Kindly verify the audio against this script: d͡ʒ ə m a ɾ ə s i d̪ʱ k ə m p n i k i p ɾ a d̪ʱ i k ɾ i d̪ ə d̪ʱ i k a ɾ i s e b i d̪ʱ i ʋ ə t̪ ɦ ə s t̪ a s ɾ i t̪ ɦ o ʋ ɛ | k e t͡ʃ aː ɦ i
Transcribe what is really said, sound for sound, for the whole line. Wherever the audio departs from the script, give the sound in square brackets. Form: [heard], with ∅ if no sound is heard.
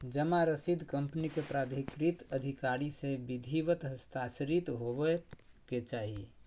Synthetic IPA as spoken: d͡ʒ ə m a ɾ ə s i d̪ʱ k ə m p n i k [e] p ɾ a d̪ʱ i k ɾ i [t̪] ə d̪ʱ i k a ɾ i s e b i d̪ʱ i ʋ ə t̪ ɦ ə s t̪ a s ɾ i t̪ ɦ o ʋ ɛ | k e t͡ʃ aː ɦ i